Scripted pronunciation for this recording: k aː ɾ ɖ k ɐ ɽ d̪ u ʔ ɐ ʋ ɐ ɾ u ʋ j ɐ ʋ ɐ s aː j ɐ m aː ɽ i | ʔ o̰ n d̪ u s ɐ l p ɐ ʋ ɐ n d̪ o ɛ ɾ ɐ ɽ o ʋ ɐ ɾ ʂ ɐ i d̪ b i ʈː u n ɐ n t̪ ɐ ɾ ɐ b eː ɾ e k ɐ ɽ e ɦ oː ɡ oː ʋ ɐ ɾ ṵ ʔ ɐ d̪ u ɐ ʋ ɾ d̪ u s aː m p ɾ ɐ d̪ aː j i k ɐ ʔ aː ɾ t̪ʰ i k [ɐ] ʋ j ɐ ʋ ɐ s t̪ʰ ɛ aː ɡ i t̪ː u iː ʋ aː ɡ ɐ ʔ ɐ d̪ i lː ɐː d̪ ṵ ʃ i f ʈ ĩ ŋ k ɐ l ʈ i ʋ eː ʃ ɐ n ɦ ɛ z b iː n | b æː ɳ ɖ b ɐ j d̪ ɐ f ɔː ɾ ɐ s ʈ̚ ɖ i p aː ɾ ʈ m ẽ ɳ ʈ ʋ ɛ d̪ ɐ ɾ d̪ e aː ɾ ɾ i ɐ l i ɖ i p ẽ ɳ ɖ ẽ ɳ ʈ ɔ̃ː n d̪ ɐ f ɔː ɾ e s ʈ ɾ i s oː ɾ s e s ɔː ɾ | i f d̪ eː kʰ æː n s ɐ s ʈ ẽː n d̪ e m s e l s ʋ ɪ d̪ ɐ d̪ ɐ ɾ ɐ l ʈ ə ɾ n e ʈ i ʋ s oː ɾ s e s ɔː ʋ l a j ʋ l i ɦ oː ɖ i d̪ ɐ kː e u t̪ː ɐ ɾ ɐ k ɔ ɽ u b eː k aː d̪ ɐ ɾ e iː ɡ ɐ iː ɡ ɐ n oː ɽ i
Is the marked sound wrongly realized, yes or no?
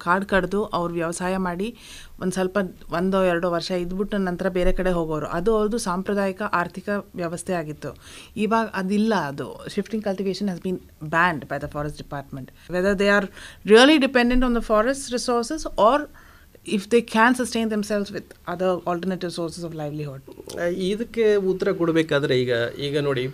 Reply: no